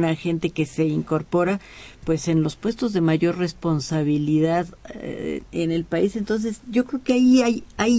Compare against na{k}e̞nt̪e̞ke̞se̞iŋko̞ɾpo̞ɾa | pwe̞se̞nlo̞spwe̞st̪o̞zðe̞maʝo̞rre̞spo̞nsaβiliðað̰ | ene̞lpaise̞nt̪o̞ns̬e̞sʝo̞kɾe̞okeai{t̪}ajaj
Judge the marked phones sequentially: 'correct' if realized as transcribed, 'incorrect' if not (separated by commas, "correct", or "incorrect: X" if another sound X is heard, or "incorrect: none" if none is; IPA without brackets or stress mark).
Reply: incorrect: x, incorrect: none